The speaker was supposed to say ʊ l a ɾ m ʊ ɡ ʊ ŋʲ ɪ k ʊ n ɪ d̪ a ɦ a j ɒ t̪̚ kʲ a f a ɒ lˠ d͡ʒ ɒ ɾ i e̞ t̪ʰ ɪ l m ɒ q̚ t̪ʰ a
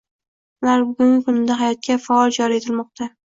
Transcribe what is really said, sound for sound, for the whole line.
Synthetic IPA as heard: ʊ l a ɾ b ʊ ɡ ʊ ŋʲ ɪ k ʊ n ɪ d̪ a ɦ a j ɒ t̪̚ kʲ a f a ɒ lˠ d͡ʒ ɒ ɾ i e̞ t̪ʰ ɪ l m ɒ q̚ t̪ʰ a